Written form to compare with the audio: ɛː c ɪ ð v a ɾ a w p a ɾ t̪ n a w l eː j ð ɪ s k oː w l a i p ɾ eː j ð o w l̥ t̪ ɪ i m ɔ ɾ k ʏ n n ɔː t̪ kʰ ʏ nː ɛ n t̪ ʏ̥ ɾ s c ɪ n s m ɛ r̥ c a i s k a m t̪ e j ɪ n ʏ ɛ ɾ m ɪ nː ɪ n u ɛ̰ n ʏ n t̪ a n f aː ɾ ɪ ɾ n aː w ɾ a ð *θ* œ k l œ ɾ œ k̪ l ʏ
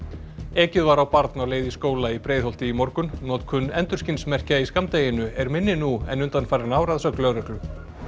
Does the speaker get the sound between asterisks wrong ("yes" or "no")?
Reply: yes